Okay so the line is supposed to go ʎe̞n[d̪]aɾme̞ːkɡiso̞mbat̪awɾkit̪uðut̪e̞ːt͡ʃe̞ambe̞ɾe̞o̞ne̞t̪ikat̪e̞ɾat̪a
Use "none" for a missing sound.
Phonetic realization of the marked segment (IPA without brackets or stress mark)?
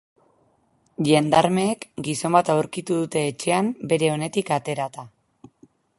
d̪